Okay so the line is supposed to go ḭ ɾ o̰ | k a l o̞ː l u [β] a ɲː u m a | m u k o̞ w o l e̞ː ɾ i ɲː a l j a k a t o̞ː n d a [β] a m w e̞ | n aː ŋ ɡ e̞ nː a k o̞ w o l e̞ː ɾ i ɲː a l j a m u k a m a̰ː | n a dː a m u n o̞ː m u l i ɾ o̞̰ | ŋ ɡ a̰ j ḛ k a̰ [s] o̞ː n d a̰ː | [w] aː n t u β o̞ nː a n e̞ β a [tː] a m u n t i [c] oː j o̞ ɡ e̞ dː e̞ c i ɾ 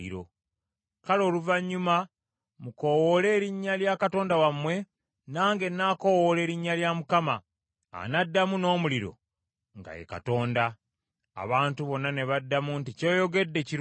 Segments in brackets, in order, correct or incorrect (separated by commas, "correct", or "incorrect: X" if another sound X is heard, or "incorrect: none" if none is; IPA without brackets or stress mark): incorrect: v, incorrect: w, incorrect: t, incorrect: β, incorrect: dː, correct